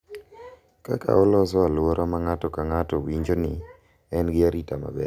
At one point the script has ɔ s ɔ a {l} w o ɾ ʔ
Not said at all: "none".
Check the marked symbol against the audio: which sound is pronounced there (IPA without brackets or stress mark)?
l